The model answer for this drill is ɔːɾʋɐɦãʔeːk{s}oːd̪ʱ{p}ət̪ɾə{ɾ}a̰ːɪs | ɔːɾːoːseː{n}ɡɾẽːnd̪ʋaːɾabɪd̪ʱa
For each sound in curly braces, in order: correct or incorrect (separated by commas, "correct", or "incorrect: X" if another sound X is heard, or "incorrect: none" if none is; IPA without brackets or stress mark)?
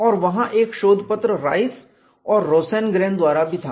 incorrect: ʃ, correct, correct, correct